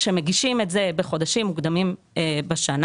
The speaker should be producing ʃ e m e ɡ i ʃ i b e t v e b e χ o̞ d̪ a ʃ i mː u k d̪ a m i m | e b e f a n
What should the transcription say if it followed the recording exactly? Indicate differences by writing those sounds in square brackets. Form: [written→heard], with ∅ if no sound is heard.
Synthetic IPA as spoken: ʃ e m e ɡ i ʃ i [b→m] e t [v→z] e b e χ o̞ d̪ a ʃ i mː u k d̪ a m i m | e b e [f→ʃ] a n

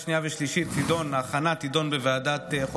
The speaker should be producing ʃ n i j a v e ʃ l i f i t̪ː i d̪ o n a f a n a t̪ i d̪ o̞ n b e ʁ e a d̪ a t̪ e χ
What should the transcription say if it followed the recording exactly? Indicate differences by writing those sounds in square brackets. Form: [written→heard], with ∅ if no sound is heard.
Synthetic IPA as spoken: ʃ n i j a v e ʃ l i [f→ʃ] i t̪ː i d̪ o n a [f→χ] a n a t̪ i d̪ o̞ n b e [ʁ→v] e a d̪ a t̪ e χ

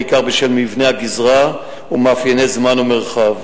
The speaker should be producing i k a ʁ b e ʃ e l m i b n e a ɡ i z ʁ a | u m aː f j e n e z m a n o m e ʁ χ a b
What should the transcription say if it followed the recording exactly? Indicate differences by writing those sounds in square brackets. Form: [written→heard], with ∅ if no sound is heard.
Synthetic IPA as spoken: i k a ʁ b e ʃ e l m i [b→v] n e a ɡ i z ʁ a | u m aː f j e n e z m a n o m e ʁ χ a [b→v]

